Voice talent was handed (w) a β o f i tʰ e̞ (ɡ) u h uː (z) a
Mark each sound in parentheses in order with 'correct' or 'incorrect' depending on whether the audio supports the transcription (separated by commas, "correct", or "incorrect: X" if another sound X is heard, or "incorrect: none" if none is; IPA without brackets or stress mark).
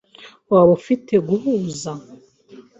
correct, correct, correct